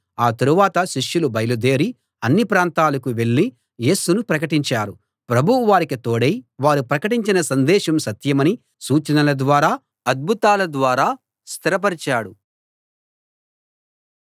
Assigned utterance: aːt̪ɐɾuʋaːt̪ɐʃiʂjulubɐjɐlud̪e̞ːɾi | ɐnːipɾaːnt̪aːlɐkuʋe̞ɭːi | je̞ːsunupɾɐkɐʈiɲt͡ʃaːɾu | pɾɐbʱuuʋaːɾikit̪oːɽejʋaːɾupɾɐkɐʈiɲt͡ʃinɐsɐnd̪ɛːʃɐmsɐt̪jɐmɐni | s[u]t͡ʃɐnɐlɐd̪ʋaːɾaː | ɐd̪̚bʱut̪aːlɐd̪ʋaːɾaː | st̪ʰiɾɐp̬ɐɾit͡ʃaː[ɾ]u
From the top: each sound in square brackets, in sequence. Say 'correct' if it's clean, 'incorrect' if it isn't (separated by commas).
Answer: incorrect, incorrect